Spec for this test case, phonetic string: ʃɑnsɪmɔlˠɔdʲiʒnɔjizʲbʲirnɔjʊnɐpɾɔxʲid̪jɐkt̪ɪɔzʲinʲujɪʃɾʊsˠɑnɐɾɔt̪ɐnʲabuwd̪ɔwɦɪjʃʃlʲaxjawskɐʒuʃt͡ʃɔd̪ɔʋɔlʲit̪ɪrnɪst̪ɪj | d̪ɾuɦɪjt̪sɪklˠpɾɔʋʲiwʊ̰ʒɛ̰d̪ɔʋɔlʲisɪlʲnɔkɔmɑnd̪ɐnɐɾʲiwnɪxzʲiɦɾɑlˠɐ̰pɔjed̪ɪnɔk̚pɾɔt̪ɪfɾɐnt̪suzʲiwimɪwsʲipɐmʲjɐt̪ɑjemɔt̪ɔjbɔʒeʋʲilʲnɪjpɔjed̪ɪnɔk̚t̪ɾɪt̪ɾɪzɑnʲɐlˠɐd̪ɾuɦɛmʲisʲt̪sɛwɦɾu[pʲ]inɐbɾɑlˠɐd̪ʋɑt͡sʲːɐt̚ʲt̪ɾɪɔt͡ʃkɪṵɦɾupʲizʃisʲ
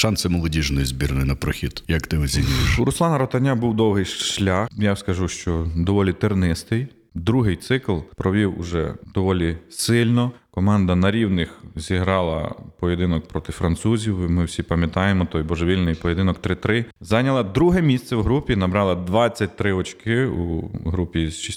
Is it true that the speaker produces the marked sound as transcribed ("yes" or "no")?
yes